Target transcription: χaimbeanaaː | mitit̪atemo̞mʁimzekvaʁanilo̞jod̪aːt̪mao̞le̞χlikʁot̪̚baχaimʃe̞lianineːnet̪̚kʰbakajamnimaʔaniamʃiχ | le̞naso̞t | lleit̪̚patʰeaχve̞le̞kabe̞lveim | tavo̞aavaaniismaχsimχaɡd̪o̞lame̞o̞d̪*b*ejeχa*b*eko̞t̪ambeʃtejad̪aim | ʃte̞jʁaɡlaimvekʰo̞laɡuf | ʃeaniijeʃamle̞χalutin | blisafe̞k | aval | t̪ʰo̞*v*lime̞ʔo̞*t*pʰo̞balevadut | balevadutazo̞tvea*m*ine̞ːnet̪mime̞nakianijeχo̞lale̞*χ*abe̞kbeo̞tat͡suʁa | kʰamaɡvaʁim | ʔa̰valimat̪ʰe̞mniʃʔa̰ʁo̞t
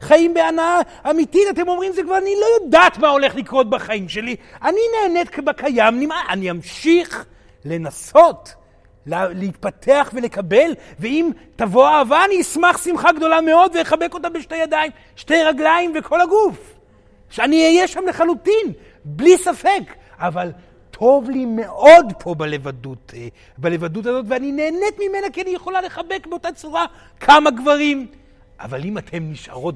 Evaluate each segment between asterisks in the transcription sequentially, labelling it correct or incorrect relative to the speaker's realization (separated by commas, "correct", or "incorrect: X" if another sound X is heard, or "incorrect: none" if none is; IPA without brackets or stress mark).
incorrect: v, correct, correct, incorrect: d, incorrect: n, correct